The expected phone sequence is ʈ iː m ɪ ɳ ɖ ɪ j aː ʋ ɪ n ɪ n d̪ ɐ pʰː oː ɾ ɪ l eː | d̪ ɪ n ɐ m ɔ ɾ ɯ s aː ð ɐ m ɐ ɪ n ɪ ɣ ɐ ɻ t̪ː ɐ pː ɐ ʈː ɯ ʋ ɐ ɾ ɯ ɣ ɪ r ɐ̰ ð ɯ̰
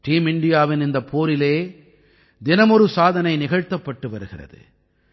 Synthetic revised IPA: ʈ iː m ɪ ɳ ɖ ɪ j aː ʋ ɪ n ɪ n d̪ ɐ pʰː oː ɾ ɪ l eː | d̪ ɪ n ɐ m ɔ ɾ ɯ s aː ð ɐ n ɐ ɪ n ɪ ɣ ɐ ɻ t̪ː ɐ pː ɐ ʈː ɯ ʋ ɐ ɾ ɯ ɣ ɪ r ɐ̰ ð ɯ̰